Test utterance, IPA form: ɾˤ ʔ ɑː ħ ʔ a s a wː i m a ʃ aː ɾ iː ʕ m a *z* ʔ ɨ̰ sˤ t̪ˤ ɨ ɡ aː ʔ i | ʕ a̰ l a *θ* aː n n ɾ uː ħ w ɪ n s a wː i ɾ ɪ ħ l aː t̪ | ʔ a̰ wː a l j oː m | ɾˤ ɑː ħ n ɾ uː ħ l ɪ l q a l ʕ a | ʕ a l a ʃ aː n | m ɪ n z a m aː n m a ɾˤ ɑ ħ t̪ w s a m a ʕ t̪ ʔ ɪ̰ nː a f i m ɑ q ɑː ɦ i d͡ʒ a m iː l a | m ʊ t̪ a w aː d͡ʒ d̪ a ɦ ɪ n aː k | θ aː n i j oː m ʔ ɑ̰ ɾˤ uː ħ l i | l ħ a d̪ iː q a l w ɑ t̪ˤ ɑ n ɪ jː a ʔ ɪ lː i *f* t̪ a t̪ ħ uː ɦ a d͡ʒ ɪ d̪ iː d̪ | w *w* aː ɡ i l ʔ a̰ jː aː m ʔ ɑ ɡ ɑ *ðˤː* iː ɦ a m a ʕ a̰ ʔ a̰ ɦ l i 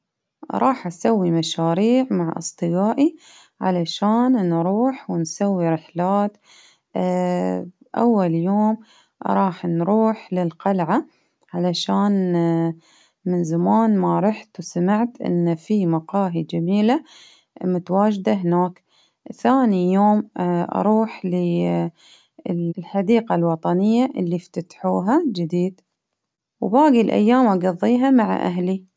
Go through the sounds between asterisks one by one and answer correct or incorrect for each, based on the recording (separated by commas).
incorrect, incorrect, correct, incorrect, correct